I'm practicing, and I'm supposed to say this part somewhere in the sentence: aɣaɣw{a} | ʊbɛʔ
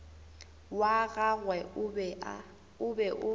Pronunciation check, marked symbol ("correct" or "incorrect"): incorrect